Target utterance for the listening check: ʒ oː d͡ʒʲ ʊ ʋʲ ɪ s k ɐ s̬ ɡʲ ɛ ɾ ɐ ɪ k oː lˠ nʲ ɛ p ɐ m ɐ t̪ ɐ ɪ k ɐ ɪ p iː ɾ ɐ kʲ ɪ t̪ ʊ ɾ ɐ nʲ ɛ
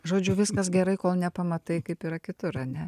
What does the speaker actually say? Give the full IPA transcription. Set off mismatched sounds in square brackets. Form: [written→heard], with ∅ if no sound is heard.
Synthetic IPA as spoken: ʒ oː d͡ʒʲ ʊ ʋʲ ɪ s k ɐ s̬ ɡʲ ɛ ɾ ɐ ɪ k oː lˠ nʲ ɛ p ɐ m ɐ t̪ ɐ ɪ k ɐ ɪ p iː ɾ ɐ kʲ ɪ t̪ ʊ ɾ ɐ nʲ ɛ